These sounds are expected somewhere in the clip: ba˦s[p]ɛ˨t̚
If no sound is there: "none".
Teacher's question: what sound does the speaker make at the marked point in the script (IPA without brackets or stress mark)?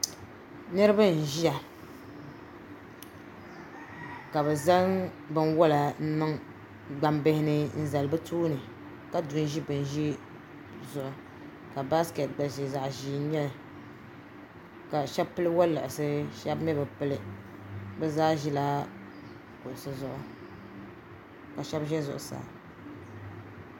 k